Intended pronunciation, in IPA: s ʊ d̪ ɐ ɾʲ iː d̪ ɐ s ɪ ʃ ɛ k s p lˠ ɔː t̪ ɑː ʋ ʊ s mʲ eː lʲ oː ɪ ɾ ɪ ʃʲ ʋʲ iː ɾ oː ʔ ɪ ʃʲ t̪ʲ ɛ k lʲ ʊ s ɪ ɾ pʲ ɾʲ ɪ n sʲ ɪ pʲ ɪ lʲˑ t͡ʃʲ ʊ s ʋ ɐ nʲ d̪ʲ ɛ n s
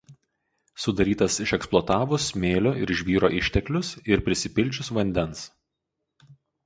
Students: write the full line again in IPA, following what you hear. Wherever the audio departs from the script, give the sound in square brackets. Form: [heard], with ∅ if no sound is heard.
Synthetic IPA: s ʊ d̪ ɐ ɾʲ iː [t̪] ɐ s ɪ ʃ ɛ k s p lˠ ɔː t̪ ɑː ʋ ʊ s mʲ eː lʲ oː ɪ ɾ ɪ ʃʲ ʋʲ iː ɾ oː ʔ ɪ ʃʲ t̪ʲ ɛ k lʲ ʊ s ɪ ɾ pʲ ɾʲ ɪ [∅] sʲ ɪ pʲ ɪ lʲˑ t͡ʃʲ ʊ s ʋ ɐ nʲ d̪ʲ ɛ n s

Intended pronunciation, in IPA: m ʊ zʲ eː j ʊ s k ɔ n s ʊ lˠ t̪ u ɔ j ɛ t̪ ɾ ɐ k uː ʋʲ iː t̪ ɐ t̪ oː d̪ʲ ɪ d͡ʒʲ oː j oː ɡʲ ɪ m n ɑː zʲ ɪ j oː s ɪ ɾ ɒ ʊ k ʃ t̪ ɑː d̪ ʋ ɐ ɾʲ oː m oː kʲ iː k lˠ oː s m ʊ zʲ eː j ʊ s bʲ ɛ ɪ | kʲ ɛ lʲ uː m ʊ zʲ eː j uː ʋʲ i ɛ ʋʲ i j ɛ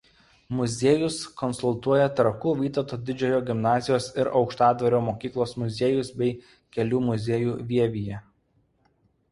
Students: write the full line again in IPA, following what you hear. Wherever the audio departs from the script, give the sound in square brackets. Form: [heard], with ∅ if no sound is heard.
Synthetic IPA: m ʊ zʲ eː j ʊ s k ɔ n s ʊ lˠ t̪ u ɔ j ɛ t̪ ɾ ɐ k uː ʋʲ iː t̪ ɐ t̪ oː d̪ʲ ɪ d͡ʒʲ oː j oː ɡʲ ɪ m n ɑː zʲ ɪ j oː s ɪ ɾ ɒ ʊ k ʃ t̪ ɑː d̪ ʋ ɐ ɾʲ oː m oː kʲ iː k lˠ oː s m ʊ zʲ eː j ʊ s bʲ ɛ ɪ | kʲ ɛ lʲ uː m ʊ zʲ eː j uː ʋʲ i ɛ ʋʲ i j ɛ

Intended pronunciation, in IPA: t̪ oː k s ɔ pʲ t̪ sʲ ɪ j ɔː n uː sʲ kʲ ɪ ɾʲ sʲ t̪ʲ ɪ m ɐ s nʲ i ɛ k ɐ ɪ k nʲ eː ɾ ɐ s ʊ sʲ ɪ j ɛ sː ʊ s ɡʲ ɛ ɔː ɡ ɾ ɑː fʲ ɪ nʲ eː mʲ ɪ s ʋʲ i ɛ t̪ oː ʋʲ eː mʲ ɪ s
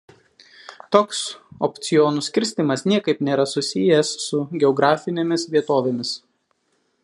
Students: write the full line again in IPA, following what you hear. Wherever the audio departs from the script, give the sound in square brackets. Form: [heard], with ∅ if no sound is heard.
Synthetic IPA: t̪ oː k s ɔ pʲ t̪ sʲ ɪ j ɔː n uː sʲ kʲ ɪ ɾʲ sʲ t̪ʲ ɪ m ɐ s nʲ i ɛ k ɐ ɪ [p] nʲ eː ɾ ɐ s ʊ sʲ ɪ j ɛ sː ʊ [∅] ɡʲ ɛ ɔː ɡ ɾ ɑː fʲ ɪ nʲ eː mʲ ɪ s ʋʲ i ɛ t̪ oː ʋʲ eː mʲ ɪ s

